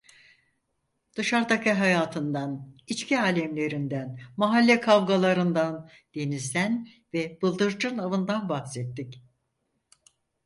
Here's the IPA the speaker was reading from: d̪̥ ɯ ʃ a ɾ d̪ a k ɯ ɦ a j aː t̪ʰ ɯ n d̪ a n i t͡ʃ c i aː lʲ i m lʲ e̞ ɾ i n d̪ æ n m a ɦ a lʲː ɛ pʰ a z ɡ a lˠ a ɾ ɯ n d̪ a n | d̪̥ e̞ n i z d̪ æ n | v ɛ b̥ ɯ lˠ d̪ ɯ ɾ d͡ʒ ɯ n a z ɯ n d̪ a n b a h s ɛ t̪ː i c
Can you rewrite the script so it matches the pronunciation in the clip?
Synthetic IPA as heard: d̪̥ ɯ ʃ a ɾ d̪ a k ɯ ɦ a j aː t̪ʰ ɯ n d̪ a n i t͡ʃ c i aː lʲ ɛ m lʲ e̞ ɾ i n d̪ æ n m a ɦ a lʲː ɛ kʰ a v ɡ a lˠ a ɾ ɯ n d̪ a n | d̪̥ e̞ n i z d̪ æ n | v ɛ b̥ ɯ lˠ d̪ ɯ ɾ d͡ʒ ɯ n a v ɯ n d̪ a n b a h s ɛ t̪ː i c

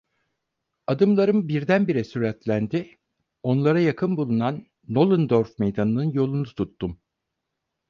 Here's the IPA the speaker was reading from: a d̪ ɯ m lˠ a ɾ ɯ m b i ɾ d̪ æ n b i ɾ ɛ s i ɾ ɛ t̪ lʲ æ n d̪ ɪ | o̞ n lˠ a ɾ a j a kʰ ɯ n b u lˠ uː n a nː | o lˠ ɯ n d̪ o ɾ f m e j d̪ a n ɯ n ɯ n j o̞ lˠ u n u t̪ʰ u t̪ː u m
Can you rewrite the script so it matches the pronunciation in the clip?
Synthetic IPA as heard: a d̪ ɯ m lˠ a ɾ ɯ m b i ɾ d̪ æ n b i ɾ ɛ s y ɾ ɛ t̪ lʲ æ n d̪ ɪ | o̞ n lˠ a ɾ a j a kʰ ɯ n b u lˠ u n a nː | o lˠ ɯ n d̪ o ɾ f m e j d̪ a n ɯ n ɯ n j o̞ lˠ u n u t̪ʰ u t̪ː u m

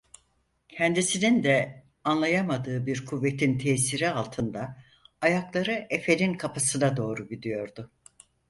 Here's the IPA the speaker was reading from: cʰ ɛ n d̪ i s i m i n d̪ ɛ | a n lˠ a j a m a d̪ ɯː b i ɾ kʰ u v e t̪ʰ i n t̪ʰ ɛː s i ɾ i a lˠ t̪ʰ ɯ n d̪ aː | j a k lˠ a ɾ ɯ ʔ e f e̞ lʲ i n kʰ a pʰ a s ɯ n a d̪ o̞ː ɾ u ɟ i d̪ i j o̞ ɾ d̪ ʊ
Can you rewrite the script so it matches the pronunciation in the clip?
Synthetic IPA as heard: cʰ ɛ n d̪ i s i n i n d̪ ɛ | a n lˠ a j a m a d̪ ɯː b i ɾ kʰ u vː e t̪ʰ i n t̪ʰ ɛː s i ɾ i a lˠ t̪ʰ ɯ n d̪ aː | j a k lˠ a ɾ ɯ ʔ e f e̞ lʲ i n kʰ a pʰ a s ɯ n a d̪ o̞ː ɾ u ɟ i d̪ i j o̞ ɾ d̪ ʊ

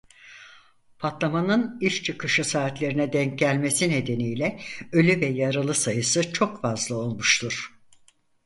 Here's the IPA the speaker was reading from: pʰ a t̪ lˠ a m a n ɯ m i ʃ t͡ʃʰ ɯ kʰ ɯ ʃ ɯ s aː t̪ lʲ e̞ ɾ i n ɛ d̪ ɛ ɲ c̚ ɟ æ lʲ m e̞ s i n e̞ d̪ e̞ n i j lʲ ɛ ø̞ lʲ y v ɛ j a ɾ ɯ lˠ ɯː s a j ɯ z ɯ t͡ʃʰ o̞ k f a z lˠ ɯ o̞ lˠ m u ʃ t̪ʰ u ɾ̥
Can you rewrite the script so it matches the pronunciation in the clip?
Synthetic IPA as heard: pʰ a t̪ lˠ a m a n ɯ n i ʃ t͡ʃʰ ɯ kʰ ɯ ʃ ɯ s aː t̪ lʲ e̞ ɾ i n ɛ d̪ ɛ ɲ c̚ ɟ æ lʲ m e̞ s i n e̞ d̪ e̞ n i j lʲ ɛ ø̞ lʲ y v ɛ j a ɾ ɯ lˠ ɯ s a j ɯ s ɯ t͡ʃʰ o̞ k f a z lˠ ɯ o̞ lˠ m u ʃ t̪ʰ u ɾ̥

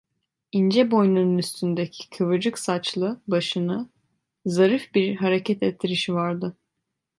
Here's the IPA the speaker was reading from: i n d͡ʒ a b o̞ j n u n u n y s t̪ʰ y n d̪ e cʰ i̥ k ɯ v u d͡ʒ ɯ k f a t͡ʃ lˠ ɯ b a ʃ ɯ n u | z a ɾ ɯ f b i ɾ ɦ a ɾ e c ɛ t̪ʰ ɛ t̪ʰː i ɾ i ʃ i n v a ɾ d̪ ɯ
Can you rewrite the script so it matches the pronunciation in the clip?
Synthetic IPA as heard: i n d͡ʒ ɛ b o̞ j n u n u n y s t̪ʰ y n d̪ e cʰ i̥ kʰ ɯ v ɯ d͡ʒ ɯ k s a t͡ʃ lˠ ɯ b a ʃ ɯ n ɯ | z a ɾ ɯ f b i ɾ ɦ a ɾ e c ɛ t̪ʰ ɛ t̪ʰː i ɾ i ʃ i v a ɾ d̪ ɯ

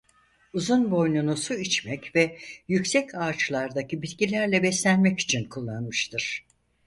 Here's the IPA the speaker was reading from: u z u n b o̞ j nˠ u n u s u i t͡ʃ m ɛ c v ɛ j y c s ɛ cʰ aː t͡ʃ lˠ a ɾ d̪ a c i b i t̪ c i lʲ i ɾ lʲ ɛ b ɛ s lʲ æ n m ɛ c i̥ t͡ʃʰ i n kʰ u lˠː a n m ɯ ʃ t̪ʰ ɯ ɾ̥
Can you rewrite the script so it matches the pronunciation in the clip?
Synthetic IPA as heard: u z u n b o̞ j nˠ u n u s u i t͡ʃ m ɛ c v ɛ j y c s ɛ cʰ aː t͡ʃ lˠ a ɾ d̪ a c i b i t̪ c i lʲ æ ɾ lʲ ɛ b ɛ s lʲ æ n m ɛ c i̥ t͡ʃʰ i n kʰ u lˠː a n m ɯ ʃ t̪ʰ ɯ ɾ̥

